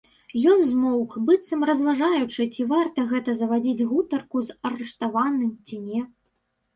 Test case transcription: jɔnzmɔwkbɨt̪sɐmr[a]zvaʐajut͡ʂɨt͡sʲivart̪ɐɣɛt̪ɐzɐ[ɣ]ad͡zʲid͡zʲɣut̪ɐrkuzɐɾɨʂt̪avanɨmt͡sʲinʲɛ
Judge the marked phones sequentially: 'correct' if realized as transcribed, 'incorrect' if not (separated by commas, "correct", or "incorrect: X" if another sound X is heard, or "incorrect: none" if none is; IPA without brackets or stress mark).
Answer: incorrect: ɐ, incorrect: v